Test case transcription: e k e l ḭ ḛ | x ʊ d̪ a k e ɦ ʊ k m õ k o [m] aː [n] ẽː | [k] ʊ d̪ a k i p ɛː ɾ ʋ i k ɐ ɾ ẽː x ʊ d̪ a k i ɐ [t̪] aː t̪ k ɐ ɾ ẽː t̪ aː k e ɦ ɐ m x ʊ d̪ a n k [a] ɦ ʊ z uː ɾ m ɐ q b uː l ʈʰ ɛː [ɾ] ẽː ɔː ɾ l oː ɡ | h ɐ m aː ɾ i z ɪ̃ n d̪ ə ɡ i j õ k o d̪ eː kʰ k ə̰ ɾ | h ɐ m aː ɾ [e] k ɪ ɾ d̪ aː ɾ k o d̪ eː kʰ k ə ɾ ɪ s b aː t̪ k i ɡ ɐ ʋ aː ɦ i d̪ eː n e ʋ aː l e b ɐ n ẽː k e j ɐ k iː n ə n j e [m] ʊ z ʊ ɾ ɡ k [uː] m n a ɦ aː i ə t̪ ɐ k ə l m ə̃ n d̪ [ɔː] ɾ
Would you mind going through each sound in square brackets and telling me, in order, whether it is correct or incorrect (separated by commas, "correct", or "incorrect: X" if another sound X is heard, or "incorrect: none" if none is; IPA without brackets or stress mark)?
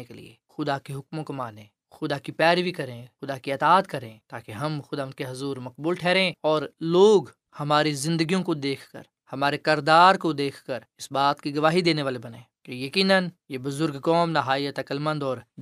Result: correct, correct, incorrect: x, correct, incorrect: e, correct, correct, incorrect: b, incorrect: ɔː, correct